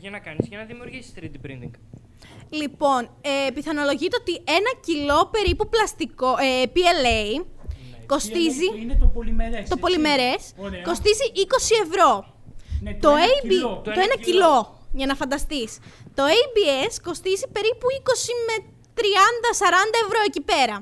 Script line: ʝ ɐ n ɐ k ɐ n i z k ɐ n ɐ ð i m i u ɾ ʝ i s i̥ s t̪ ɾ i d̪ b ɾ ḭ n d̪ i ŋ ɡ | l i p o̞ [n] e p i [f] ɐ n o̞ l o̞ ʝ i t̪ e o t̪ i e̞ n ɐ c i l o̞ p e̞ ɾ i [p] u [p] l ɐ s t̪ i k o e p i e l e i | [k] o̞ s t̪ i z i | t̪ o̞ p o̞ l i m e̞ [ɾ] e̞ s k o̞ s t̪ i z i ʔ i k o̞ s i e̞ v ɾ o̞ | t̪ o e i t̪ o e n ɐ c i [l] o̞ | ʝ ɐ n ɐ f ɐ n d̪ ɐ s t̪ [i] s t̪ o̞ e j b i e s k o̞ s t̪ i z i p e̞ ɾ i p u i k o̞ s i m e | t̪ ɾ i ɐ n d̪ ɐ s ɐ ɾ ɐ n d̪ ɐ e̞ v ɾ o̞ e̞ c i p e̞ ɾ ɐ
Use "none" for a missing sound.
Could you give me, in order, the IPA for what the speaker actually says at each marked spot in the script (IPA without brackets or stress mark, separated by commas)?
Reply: n, θ, p, p, k, ɾ, l, i